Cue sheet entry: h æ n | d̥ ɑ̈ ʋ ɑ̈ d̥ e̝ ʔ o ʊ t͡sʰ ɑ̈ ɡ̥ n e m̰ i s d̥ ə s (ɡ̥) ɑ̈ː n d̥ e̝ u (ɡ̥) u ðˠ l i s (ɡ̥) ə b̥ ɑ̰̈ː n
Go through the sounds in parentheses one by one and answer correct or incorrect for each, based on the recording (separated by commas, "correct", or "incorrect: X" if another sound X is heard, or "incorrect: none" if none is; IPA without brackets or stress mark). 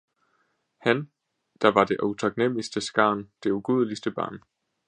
correct, correct, incorrect: d̥